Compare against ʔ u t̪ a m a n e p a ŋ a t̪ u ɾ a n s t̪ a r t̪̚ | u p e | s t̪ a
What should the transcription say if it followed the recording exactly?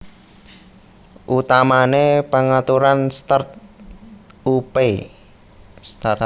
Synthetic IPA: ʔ u t̪ a m a n e p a ŋ a t̪ u ɾ a n s t̪ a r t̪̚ | u p e | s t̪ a